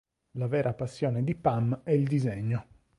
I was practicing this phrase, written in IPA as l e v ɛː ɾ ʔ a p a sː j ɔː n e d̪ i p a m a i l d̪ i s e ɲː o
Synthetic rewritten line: l a v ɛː ɾ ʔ a p a sː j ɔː n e d̪ i p a m ɛ i l d̪ i z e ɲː o